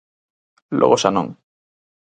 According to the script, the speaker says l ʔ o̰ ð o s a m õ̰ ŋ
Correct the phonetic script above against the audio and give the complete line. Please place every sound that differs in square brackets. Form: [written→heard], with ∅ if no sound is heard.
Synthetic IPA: l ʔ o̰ [ð→ɣ] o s a [m→n] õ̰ ŋ